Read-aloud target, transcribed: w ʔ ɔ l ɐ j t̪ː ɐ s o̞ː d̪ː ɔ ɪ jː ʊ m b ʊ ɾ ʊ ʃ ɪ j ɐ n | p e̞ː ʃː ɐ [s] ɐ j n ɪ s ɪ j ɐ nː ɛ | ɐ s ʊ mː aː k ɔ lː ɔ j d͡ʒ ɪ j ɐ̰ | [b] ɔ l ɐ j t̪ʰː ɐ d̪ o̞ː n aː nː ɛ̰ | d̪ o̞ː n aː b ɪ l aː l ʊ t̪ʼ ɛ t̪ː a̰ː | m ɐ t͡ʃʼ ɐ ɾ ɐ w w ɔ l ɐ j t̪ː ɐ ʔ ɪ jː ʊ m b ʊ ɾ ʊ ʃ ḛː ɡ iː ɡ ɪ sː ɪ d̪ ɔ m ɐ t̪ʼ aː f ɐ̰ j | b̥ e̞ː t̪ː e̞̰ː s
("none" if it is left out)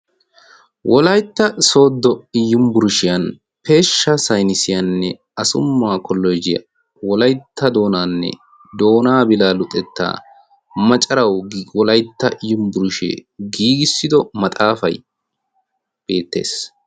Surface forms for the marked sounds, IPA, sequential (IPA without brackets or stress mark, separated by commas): s, w